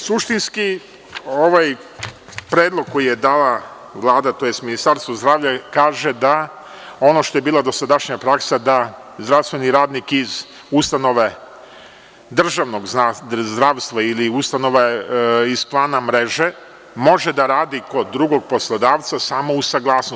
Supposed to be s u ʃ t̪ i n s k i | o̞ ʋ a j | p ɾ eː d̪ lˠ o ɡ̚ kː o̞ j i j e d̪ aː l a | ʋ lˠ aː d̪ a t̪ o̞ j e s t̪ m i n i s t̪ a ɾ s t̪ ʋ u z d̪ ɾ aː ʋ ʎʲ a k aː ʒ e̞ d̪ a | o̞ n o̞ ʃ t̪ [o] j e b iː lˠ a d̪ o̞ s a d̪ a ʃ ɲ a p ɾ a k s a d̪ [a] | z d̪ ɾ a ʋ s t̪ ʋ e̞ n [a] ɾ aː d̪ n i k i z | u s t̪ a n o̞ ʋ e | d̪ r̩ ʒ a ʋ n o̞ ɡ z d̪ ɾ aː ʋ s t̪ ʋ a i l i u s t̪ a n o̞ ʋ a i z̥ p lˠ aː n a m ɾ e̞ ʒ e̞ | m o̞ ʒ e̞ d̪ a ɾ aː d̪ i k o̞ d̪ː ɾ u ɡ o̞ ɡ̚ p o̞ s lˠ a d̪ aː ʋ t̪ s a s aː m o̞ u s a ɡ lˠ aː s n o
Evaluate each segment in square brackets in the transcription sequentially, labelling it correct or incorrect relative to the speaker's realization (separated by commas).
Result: correct, correct, incorrect